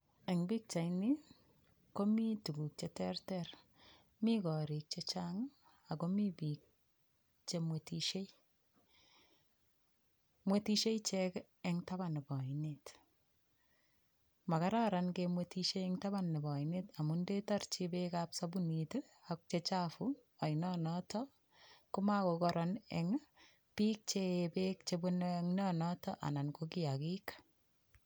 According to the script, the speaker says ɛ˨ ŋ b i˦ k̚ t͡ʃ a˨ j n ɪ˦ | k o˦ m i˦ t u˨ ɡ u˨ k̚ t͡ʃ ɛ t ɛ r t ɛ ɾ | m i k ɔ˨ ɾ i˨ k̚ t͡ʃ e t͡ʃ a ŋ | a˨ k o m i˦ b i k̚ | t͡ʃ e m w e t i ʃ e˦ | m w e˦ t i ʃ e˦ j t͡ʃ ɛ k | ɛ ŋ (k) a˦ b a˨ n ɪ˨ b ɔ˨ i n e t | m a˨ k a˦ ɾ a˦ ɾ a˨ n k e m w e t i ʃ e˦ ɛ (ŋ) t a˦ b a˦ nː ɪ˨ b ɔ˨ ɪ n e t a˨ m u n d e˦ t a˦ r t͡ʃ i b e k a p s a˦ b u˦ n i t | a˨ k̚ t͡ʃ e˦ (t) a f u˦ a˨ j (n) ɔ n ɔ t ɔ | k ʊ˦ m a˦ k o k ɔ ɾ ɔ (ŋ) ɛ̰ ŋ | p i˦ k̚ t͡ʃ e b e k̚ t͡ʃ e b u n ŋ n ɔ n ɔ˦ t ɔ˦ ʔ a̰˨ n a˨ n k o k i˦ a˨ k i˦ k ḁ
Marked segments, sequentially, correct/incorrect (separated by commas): incorrect, correct, incorrect, correct, incorrect